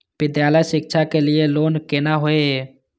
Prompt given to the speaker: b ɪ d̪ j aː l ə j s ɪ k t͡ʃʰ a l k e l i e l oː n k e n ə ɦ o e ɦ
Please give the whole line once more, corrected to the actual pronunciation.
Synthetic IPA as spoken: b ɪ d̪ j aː l ə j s ɪ k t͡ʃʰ a k e l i e l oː n k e n a ɦ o e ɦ